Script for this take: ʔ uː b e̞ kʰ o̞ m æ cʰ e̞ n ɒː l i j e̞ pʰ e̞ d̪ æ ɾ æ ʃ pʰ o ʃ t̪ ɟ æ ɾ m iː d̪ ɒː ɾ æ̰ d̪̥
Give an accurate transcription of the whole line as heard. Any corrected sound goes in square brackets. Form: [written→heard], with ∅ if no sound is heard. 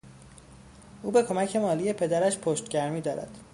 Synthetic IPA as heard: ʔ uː b e̞ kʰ o̞ m æ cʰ e̞ [n→m] ɒː l i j e̞ pʰ e̞ d̪ æ ɾ æ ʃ pʰ o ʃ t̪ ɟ æ ɾ m iː d̪ ɒː ɾ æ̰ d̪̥